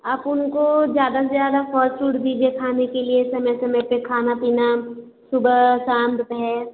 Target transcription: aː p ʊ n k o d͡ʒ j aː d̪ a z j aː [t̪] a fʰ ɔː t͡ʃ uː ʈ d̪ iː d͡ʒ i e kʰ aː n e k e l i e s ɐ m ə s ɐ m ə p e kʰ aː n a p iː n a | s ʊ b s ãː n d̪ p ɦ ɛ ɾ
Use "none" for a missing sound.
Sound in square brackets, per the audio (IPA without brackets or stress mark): d̪